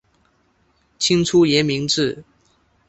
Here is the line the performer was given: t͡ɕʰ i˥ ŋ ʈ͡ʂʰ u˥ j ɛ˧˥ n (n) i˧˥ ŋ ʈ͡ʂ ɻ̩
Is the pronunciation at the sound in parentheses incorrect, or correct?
incorrect